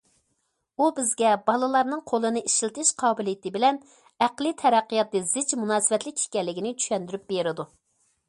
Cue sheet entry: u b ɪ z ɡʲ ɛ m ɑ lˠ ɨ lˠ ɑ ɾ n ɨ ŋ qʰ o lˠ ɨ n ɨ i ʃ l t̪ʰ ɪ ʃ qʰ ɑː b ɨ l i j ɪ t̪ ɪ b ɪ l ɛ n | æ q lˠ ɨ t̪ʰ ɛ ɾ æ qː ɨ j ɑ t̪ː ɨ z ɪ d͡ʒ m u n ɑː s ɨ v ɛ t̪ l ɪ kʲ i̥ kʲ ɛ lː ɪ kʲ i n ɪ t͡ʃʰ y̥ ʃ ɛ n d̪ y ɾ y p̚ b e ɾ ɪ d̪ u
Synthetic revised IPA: u b ɪ z ɡʲ ɛ b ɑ lˠ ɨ lˠ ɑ ɾ n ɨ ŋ qʰ o lˠ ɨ n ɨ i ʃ l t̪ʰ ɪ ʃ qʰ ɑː b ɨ l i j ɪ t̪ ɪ b ɪ l ɛ n | æ q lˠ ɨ t̪ʰ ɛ ɾ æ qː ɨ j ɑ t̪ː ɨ z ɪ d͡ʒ m u n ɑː s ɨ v ɛ t̪ l ɪ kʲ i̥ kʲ ɛ lː ɪ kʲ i n ɪ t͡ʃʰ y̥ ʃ ɛ n d̪ y ɾ y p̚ b e ɾ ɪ d̪ u